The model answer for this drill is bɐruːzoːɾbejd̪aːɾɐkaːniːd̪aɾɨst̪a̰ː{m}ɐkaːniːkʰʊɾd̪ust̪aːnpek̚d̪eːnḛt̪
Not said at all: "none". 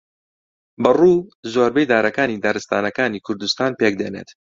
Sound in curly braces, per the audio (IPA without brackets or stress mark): n